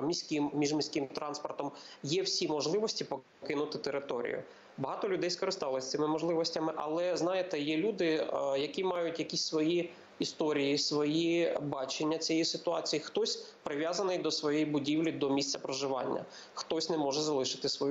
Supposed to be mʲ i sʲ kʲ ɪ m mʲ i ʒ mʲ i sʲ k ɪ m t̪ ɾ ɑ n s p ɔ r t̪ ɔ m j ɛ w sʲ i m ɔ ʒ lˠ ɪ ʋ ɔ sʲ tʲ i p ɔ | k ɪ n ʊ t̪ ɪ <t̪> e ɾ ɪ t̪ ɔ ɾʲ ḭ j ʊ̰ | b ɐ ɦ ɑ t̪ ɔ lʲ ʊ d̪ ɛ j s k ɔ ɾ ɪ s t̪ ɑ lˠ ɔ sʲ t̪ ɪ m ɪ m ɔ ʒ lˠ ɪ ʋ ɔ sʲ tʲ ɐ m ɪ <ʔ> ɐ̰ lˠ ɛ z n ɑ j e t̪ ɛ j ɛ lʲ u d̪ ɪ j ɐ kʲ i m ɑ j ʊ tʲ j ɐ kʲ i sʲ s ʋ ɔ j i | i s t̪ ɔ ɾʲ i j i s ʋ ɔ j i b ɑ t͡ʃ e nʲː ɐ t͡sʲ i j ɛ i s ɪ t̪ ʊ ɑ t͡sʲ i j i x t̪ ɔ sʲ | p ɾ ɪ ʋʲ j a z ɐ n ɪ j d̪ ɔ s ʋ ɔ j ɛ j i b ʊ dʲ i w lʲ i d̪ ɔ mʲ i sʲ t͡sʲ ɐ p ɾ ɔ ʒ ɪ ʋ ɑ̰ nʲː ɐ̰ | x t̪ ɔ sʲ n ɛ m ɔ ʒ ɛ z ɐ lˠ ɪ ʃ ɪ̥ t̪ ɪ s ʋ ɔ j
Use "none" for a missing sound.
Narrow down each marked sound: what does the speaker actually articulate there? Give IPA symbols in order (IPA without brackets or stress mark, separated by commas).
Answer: t̪, ʔ